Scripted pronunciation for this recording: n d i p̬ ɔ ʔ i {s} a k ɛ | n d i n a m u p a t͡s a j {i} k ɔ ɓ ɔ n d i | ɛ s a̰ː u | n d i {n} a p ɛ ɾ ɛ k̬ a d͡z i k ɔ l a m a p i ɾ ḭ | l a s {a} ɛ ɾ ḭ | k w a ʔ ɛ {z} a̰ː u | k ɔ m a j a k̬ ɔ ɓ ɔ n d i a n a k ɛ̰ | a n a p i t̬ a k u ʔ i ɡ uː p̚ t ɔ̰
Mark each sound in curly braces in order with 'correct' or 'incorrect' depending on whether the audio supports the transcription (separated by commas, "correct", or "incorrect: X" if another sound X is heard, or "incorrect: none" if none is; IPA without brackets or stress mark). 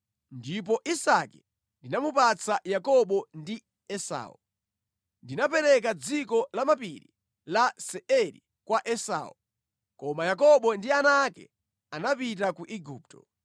correct, incorrect: a, correct, incorrect: ɛ, incorrect: s